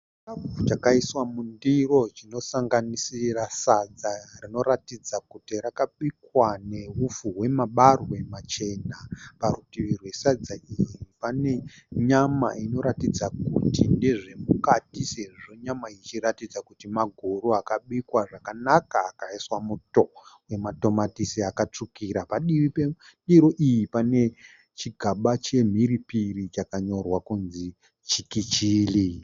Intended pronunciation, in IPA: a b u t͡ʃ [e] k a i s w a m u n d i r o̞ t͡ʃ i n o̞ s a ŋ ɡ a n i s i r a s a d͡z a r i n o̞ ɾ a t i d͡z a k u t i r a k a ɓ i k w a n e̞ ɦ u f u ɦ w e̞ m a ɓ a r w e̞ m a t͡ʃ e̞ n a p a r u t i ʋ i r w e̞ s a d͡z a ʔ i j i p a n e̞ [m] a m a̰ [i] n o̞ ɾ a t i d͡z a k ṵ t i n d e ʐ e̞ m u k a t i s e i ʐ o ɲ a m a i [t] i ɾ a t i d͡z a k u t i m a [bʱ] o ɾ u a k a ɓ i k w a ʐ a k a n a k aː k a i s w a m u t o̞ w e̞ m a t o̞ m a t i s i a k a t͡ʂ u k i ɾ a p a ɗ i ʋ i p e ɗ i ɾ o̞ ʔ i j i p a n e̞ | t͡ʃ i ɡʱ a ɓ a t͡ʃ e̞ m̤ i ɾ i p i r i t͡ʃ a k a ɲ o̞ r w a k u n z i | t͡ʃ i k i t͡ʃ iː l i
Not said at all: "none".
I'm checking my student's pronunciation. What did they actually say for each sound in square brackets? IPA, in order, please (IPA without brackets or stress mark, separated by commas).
a, ɲ, i, t͡ʃ, ɡʱ